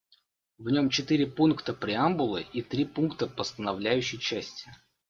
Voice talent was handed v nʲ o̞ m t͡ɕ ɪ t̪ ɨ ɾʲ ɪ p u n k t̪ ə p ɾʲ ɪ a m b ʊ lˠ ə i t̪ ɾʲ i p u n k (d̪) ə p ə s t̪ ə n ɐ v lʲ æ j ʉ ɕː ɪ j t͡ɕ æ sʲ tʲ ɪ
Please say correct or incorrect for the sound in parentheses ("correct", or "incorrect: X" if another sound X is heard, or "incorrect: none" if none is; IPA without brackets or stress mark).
incorrect: t̪